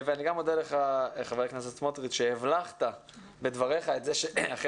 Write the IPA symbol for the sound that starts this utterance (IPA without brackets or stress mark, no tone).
v